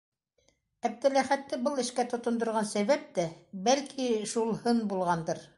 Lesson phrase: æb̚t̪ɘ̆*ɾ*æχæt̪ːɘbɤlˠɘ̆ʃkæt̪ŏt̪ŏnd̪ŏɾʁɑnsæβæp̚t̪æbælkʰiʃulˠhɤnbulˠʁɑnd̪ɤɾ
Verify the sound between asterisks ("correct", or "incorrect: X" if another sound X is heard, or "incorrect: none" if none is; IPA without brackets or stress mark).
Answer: incorrect: l